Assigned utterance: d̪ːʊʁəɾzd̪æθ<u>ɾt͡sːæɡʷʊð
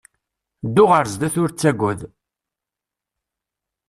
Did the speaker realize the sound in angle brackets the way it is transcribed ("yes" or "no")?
no